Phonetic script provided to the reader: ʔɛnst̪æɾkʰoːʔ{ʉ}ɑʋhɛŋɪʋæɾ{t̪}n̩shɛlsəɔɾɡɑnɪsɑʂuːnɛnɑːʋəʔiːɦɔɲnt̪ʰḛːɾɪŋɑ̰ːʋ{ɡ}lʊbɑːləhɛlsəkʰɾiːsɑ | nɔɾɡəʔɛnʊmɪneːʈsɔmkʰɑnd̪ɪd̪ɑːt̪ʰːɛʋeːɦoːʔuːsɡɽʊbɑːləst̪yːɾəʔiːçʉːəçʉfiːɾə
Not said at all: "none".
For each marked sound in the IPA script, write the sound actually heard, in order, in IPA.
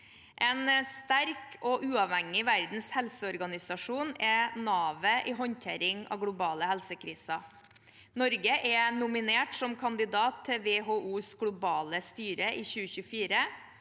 ʉː, d̪, ɡ

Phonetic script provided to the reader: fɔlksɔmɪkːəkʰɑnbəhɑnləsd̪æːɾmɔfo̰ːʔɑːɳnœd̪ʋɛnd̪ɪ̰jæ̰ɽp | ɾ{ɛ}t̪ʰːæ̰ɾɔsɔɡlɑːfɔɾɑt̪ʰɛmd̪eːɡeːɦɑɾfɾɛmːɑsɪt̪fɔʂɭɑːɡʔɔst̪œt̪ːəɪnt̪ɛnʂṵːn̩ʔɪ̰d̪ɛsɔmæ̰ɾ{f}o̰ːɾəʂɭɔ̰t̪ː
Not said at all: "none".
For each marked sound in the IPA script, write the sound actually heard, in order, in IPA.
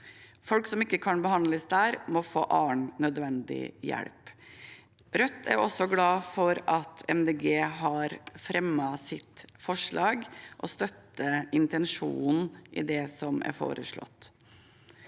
œ, f

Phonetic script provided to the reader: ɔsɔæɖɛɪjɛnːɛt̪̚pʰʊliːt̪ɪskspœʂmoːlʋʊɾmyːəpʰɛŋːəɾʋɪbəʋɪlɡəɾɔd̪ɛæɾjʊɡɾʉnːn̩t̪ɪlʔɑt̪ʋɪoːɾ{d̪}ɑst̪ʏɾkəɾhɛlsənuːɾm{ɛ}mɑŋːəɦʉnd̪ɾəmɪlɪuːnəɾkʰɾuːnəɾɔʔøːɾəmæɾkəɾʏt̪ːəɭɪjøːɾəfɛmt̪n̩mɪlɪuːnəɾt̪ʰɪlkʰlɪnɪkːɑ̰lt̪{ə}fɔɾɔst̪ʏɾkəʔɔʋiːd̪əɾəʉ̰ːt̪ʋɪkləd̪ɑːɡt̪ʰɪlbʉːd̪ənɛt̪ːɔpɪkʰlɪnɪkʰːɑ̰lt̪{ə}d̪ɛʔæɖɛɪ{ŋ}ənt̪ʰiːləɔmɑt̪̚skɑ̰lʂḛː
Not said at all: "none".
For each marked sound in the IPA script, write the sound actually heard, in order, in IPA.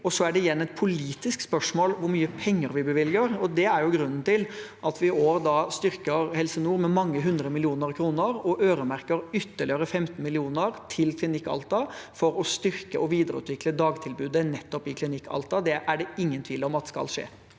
d̪, ɛ, ɑ, ɑ, ŋː

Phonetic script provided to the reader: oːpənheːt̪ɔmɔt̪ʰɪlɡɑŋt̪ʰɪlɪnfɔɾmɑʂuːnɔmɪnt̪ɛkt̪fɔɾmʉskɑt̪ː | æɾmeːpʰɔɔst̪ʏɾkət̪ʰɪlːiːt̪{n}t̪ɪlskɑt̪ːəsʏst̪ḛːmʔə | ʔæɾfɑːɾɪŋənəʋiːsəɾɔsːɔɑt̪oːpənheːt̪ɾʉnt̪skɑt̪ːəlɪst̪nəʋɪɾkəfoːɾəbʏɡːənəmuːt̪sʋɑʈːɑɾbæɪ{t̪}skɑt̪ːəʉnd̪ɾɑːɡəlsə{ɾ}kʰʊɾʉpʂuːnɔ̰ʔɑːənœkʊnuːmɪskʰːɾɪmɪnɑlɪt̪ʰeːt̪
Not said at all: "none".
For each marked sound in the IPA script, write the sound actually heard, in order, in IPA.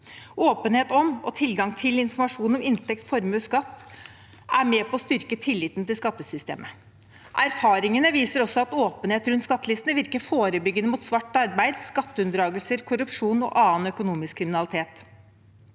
n, d̪, ɾ

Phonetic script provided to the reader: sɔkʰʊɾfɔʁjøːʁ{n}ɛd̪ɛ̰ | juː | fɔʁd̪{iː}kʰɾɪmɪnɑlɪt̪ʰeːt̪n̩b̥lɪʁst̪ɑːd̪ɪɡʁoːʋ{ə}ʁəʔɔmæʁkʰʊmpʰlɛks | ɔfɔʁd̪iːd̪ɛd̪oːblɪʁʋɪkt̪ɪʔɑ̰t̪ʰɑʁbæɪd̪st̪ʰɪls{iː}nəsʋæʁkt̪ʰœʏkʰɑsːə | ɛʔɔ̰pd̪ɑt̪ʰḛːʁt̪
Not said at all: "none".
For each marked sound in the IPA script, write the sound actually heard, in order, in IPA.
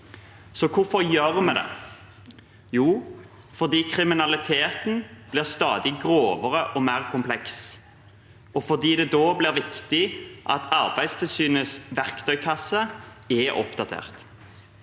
m, iː, ə, yː

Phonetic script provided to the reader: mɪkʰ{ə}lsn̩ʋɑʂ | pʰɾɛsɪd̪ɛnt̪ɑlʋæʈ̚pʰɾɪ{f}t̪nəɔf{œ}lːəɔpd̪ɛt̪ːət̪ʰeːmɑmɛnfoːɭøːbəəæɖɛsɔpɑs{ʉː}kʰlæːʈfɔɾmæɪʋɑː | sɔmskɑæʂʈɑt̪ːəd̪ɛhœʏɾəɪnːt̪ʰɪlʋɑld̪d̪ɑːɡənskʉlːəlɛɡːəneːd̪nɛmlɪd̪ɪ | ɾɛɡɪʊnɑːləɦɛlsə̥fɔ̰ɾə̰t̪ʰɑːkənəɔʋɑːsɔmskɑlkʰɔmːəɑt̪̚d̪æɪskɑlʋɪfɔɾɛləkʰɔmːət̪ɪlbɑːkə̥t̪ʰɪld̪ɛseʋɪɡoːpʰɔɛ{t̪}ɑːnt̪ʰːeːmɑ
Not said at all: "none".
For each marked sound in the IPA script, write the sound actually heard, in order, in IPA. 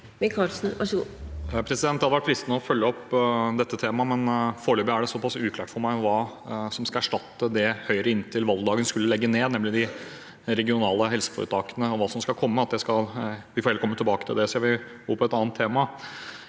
ɑ, s, œ, ʉː, t̪

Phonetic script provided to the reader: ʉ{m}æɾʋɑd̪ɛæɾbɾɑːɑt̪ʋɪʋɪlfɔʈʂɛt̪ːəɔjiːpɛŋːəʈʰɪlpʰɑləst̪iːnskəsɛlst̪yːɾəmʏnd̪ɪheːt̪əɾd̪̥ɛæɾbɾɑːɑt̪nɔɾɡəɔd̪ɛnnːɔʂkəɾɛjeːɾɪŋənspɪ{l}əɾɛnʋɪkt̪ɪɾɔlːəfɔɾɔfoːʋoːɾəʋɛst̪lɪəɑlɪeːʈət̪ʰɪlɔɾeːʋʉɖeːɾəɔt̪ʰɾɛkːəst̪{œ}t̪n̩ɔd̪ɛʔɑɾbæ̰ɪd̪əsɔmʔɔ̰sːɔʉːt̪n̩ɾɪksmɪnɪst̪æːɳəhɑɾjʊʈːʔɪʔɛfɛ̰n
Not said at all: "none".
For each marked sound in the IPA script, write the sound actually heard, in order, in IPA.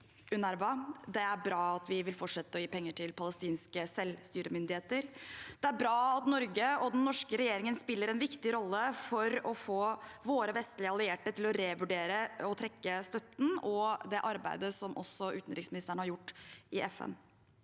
n, lː, œ

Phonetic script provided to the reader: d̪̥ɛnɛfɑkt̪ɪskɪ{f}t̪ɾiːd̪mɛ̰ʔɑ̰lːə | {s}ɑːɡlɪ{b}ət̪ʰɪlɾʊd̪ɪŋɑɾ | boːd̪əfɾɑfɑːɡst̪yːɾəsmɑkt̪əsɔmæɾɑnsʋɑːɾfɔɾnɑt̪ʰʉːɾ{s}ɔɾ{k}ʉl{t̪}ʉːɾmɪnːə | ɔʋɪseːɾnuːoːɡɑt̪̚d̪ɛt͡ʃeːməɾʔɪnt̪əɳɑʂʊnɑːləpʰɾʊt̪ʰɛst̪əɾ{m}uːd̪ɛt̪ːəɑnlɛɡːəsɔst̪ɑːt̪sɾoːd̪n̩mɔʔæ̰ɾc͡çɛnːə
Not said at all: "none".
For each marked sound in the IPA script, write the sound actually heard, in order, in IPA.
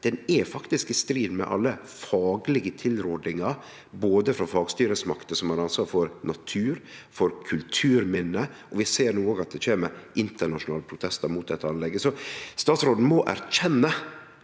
s, f, ɡ, f, kʰ, t̪ʰ, m

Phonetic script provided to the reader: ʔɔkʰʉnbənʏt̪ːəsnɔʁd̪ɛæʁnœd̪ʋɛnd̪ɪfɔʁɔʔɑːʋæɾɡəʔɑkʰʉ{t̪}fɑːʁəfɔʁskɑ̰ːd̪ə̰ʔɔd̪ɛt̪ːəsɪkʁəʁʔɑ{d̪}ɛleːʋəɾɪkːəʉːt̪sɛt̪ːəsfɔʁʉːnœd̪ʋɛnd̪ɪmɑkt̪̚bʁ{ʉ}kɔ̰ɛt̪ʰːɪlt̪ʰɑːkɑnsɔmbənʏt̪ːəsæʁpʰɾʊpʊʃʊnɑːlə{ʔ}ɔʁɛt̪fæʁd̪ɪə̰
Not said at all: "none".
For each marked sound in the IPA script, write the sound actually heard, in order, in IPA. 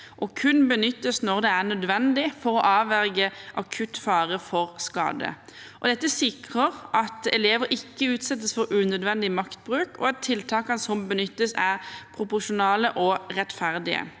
t̪, t̪, ʉː, ʔ

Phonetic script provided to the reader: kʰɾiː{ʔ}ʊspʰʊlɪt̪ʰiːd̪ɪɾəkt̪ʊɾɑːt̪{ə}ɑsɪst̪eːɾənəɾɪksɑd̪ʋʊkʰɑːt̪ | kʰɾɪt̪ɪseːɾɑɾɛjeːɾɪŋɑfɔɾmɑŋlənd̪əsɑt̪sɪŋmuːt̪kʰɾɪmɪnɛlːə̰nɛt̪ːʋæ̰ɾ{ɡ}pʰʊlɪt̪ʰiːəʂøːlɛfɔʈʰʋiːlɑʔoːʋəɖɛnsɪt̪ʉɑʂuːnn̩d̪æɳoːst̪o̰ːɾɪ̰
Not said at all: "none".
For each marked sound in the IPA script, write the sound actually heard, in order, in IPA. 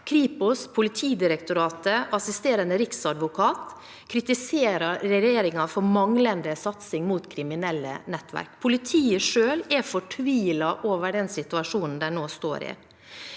p, ə, k

